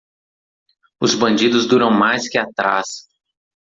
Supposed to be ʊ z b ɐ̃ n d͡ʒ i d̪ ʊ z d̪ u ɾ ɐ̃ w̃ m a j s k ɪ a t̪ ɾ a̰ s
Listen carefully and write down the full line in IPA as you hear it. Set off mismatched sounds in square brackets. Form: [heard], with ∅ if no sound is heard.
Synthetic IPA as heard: ʊ z b ɐ̃ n d͡ʒ i d̪ ʊ z d̪ u ɾ ɐ̃ w̃ m a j s k ɪ a t̪ ɾ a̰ s